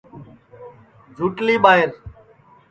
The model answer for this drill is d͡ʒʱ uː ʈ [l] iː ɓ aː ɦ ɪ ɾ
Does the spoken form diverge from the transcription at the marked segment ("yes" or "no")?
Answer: no